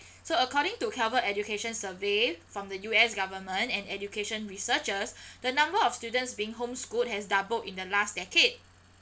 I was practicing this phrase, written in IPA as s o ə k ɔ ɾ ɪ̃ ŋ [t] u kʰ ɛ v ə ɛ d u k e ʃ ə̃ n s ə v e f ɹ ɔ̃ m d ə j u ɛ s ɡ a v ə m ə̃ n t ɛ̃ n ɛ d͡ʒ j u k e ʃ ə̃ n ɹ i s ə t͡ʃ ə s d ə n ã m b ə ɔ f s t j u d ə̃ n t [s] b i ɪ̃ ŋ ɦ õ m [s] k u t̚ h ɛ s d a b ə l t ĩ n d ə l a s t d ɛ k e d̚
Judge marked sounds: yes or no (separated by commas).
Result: yes, yes, yes